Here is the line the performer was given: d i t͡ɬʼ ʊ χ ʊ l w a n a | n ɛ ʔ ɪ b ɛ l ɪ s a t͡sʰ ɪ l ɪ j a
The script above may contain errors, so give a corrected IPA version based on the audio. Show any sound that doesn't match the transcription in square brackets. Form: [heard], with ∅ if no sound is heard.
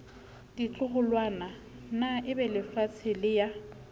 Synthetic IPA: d i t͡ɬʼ ʊ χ ʊ l w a n a | n [a] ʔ ɪ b ɛ l ɪ [f] a t͡sʰ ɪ l ɪ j a